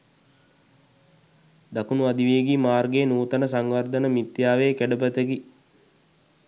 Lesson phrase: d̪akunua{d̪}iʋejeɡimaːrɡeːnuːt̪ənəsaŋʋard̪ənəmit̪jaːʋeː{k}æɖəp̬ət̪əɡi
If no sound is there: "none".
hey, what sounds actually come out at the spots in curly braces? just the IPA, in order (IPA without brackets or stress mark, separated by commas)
d̪, k